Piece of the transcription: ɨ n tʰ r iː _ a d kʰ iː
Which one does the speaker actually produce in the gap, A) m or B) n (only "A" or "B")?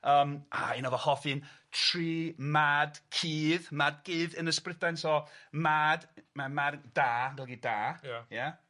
A